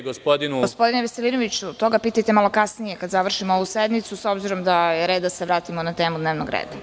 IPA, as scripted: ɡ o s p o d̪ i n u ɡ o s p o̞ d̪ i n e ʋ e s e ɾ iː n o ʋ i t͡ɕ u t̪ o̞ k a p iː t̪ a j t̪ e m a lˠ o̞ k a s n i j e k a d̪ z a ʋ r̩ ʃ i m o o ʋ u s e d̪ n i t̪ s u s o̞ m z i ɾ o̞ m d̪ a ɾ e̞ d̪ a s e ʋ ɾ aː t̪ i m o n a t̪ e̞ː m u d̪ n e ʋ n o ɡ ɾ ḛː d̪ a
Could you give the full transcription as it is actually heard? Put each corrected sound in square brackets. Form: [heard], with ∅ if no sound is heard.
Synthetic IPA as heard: ɡ o s p o d̪ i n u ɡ o s p o̞ d̪ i n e ʋ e s e [l] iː n o ʋ i t͡ɕ u t̪ o̞ [ɡ] a p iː t̪ a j t̪ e m a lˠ o̞ k a s n i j e k a d̪ z a ʋ r̩ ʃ i m o o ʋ u s e d̪ n i t̪ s u s o̞ [b] z i ɾ o̞ m d̪ a ɾ e̞ d̪ a s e ʋ ɾ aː t̪ i m o n a t̪ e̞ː m u d̪ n e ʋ n o ɡ ɾ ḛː d̪ a